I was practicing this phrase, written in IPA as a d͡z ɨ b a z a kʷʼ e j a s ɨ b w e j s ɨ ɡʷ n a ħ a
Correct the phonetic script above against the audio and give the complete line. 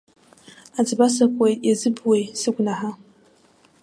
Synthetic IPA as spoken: a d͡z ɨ b a s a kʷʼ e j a z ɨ b w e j s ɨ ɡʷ n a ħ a